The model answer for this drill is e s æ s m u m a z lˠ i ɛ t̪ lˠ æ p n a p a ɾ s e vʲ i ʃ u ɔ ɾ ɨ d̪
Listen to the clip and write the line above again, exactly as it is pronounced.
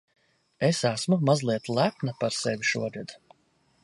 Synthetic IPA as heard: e s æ s m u m a z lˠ i ɛ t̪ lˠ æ p n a p a ɾ s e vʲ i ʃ u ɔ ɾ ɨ d̪